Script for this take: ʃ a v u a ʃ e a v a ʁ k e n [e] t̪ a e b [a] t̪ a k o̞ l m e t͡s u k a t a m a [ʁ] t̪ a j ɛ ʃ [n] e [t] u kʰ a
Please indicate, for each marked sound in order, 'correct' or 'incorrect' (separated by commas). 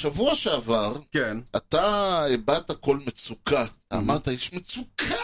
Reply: incorrect, correct, correct, incorrect, incorrect